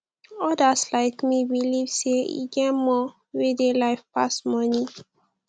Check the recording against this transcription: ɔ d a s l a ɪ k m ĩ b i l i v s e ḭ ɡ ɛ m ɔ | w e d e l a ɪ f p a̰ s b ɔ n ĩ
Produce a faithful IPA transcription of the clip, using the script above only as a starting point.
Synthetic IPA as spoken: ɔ d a s l a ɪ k m i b i l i v s e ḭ ɡ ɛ m ɔ | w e d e l a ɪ f p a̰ s m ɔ n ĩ